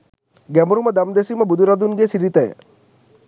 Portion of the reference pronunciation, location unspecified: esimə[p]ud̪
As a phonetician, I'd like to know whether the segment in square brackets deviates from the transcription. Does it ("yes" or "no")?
yes